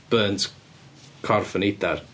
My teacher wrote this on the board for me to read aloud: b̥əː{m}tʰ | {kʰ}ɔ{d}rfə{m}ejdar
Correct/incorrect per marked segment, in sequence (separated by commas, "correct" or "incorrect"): incorrect, correct, incorrect, incorrect